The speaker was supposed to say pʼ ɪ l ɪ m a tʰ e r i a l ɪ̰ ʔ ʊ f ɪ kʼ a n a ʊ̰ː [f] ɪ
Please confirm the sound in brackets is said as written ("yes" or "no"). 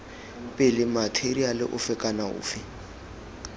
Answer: yes